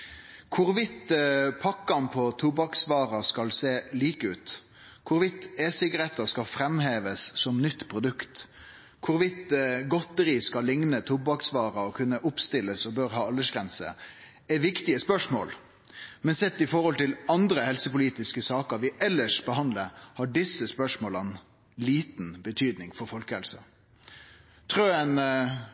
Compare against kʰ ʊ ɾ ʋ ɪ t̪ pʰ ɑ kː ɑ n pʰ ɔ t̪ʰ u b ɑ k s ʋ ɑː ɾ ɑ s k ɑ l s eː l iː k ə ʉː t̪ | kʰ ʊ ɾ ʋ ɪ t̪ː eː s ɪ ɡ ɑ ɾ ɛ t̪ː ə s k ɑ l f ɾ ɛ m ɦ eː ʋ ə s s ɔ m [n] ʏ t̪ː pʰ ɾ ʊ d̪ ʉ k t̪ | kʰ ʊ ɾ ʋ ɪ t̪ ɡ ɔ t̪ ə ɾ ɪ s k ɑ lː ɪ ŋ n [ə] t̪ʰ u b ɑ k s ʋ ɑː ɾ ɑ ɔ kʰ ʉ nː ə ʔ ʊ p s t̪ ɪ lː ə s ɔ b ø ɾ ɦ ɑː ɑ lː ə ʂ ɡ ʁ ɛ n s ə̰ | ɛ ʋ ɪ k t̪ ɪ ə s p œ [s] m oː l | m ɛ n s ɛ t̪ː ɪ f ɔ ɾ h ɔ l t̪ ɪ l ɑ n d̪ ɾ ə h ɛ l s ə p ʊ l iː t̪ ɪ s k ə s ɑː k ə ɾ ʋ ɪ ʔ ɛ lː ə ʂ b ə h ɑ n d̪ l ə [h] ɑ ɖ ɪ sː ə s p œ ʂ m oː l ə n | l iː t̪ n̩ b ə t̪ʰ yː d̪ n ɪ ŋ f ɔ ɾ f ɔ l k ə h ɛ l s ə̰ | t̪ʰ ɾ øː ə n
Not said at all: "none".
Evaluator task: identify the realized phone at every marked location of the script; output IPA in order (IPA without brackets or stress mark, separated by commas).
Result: n, ə, ʂ, h